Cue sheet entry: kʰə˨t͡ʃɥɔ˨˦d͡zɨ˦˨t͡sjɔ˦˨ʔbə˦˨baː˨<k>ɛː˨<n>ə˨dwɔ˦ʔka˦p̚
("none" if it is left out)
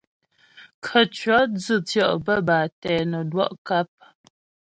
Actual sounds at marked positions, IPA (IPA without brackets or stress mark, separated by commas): t, n